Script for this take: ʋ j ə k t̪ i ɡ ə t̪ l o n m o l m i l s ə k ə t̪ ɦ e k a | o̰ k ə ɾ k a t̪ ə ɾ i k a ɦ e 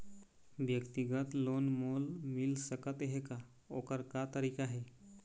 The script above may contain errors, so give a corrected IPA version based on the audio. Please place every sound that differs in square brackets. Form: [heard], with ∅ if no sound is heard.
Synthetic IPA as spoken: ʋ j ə k t̪ i ɡ ə t̪ l o n m o l m i l s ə k ə t̪ ɦ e k a | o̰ k ə ɾ k a t̪ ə ɾ i k a ɦ e